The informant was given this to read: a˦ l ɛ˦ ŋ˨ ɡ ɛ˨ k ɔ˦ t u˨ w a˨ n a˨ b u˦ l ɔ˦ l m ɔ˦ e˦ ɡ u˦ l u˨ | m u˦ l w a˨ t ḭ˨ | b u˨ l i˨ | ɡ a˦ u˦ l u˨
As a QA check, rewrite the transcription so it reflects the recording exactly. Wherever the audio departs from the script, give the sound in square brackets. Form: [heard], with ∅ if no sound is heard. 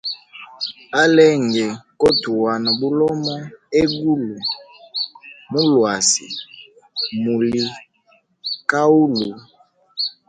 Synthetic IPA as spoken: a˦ l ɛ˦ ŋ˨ ɡ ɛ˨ k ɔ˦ t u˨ w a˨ n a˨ b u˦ l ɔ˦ [∅] m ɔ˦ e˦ ɡ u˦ l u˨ | m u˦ l w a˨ [s] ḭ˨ | [m] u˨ l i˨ | [k] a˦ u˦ l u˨